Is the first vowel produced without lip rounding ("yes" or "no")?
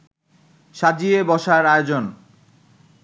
yes